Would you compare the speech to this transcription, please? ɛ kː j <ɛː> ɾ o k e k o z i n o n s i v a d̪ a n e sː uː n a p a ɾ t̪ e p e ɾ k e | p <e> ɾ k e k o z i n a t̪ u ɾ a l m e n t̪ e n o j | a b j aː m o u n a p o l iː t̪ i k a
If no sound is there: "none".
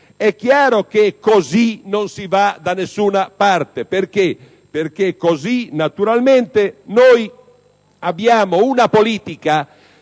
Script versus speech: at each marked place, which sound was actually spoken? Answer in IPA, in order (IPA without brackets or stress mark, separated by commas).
aː, e